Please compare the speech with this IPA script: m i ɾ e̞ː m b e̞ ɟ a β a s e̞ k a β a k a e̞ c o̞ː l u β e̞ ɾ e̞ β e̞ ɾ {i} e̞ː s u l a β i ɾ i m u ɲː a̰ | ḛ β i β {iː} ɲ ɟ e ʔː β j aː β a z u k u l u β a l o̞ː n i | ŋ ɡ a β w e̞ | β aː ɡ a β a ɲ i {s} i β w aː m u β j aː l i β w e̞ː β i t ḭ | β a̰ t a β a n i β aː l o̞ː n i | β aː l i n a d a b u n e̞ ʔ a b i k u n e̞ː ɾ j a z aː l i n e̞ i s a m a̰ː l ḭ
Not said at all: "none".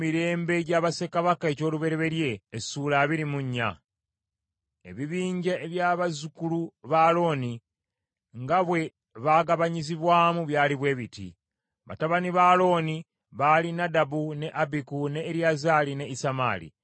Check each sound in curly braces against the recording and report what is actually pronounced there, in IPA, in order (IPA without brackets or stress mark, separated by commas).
j, iː, z